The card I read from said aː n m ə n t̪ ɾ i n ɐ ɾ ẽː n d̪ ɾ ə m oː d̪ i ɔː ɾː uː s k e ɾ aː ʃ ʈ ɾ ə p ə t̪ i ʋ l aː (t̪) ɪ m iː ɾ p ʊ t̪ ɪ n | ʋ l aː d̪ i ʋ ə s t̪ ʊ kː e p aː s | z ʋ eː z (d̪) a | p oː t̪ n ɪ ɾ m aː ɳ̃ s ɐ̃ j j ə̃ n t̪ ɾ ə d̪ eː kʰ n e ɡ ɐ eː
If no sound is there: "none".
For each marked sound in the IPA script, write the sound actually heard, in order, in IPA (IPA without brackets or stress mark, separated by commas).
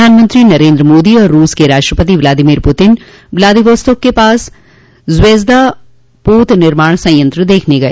d̪, d̪